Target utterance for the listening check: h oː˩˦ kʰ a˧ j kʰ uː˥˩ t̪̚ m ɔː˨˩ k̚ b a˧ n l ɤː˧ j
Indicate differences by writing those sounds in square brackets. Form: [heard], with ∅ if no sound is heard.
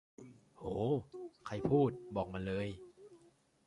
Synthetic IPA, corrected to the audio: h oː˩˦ kʰ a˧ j [pʰ] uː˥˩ t̪̚ [b] ɔː˨˩ k̚ [m] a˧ n l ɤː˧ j